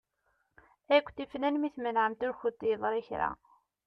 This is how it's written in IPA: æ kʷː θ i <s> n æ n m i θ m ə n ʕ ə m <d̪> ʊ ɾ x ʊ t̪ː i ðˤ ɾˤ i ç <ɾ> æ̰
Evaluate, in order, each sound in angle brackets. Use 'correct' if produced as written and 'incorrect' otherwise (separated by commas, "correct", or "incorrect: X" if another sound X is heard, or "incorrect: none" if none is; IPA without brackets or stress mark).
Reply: incorrect: f, incorrect: t̪, correct